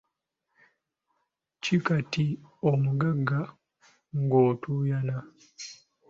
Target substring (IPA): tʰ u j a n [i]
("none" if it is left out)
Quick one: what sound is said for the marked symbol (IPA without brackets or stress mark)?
a